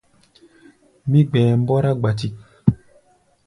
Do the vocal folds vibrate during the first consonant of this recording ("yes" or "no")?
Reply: yes